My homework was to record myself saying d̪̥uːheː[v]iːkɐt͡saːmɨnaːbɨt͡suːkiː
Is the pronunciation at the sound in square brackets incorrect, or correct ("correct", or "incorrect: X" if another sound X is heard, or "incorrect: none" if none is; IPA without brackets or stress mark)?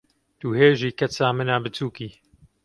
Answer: incorrect: ʒ